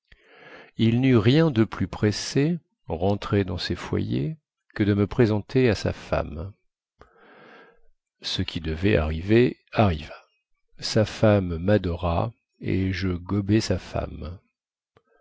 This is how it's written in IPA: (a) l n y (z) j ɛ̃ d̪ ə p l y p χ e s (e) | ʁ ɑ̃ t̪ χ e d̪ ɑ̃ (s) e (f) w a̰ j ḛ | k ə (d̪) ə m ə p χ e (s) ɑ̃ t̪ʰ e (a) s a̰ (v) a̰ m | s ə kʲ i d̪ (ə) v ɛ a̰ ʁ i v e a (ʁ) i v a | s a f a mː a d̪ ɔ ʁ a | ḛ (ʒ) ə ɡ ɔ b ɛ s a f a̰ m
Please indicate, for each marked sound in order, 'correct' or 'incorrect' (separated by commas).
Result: incorrect, incorrect, correct, correct, correct, correct, incorrect, correct, incorrect, correct, correct, correct